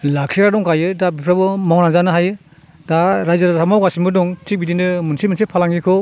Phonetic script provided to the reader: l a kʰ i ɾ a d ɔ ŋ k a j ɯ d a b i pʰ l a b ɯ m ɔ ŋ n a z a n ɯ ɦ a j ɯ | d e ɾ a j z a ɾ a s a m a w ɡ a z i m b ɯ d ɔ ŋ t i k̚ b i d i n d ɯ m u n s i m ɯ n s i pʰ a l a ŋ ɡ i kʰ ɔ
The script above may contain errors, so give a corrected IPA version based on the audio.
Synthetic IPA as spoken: l a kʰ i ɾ a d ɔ ŋ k a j ɯ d a b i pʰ ɾ a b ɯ m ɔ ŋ n a z a n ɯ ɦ a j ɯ | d a ɾ a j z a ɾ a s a m a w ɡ a s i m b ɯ d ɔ ŋ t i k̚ b i d i n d ɯ m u n s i m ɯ n s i pʰ a l a ŋ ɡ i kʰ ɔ

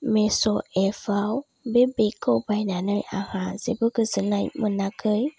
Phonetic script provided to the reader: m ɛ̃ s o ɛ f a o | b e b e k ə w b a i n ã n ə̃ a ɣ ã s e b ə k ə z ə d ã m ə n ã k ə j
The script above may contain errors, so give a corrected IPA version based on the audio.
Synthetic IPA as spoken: m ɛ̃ s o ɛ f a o | b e b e k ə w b a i n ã n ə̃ a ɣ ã z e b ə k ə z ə n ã m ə n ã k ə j

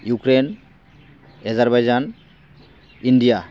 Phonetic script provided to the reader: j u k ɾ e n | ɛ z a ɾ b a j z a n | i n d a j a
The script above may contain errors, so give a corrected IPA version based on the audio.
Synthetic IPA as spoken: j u k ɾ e n | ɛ z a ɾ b a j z a n | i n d i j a

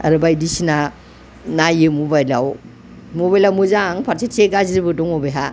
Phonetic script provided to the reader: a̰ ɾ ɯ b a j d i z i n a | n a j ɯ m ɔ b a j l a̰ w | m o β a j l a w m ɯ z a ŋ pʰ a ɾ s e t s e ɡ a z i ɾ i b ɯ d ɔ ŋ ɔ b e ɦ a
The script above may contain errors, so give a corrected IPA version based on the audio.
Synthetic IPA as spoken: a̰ ɾ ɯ b a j d i s i n a | n a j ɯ m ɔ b a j l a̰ w | m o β a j l a w m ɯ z a ŋ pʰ a ɾ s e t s e ɡ a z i ɾ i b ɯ d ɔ ŋ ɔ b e ɦ a

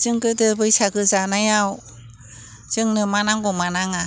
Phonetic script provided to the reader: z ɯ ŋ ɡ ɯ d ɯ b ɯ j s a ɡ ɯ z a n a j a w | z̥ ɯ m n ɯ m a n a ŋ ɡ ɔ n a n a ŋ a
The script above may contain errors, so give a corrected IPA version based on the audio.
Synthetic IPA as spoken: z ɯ ŋ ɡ ɯ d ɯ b ɯ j s a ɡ ɯ z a n a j a w | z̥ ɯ ŋ n ɯ m a n a ŋ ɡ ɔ m a n a ŋ a

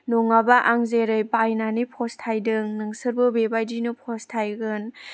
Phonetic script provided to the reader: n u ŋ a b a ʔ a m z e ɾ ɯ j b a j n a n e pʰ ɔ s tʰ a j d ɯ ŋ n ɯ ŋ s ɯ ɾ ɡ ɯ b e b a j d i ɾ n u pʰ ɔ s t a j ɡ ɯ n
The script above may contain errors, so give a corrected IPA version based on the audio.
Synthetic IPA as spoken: n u ŋ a b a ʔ a ŋ z e ɾ ɯ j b a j n a n i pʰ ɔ s tʰ a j d ɯ ŋ n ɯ ŋ s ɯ ɾ b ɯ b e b a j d i n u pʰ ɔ s tʰ a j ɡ ɯ n

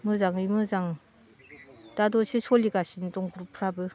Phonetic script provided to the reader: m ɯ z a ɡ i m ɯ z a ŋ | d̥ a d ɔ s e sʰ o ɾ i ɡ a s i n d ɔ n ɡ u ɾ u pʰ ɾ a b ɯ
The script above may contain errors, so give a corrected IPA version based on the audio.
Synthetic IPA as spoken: m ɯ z a ŋ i m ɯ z a ŋ | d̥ a d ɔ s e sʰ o l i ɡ a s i n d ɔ ŋ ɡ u ɾ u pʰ ɾ a b ɯ

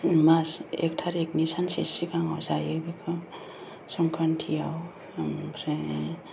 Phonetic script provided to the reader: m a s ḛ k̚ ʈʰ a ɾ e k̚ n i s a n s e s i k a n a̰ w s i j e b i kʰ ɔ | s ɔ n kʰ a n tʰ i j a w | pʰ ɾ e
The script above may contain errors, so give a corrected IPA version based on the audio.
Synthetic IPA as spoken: m a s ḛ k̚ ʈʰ a ɾ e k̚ n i s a n s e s i k a ŋ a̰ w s a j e b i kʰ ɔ | s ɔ ŋ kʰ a n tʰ i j a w | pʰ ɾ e

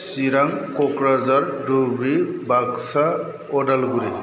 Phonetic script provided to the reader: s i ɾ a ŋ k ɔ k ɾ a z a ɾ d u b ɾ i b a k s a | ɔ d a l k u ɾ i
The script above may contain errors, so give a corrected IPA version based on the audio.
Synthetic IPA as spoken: s i ɾ a ŋ k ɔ k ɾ a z a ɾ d u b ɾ i b a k s a | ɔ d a l ɡ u ɾ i

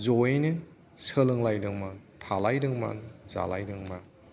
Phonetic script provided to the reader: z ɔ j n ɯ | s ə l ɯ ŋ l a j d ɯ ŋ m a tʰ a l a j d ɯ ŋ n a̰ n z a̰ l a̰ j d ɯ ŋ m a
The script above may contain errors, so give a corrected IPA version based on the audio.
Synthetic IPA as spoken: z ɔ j n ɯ | s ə l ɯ ŋ l a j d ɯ ŋ m a tʰ a l a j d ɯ ŋ m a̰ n z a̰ l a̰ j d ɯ ŋ m a

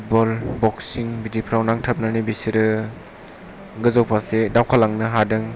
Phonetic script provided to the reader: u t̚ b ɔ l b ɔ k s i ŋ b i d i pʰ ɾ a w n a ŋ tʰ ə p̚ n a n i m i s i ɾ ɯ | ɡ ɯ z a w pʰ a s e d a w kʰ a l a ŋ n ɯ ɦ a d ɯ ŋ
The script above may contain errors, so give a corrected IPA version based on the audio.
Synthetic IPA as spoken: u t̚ b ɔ l b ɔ k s i ŋ b i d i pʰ ɾ a w n a ŋ tʰ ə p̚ n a n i b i s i ɾ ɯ | ɡ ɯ z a w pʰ a s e d a w kʰ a l a ŋ n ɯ ɦ a d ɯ ŋ

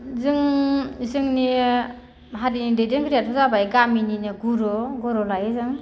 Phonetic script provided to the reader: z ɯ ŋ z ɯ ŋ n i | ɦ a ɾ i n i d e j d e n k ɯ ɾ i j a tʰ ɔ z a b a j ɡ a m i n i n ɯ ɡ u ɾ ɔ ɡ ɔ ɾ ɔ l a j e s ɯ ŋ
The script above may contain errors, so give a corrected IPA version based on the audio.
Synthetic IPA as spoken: z ɯ ŋ z ɯ ŋ n i | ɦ a ɾ i n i d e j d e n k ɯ ɾ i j a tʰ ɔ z a b a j ɡ a m i n i n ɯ ɡ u ɾ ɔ ɡ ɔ ɾ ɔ l a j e z ɯ ŋ

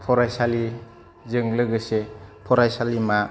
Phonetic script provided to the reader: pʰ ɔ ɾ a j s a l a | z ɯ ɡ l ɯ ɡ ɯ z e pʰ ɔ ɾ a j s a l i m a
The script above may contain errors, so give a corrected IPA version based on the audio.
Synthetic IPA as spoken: pʰ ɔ ɾ a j s a l i | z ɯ ŋ l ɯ ɡ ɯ s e pʰ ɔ ɾ a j s a l i m a

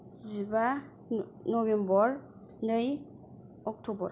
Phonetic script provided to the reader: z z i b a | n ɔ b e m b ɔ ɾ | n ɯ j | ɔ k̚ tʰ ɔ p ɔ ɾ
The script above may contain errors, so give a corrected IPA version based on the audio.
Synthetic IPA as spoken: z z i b a | n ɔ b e m b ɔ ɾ | n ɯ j | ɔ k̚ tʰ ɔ b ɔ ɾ

